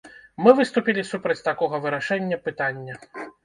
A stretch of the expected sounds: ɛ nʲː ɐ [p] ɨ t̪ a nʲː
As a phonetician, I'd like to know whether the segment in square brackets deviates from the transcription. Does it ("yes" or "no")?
no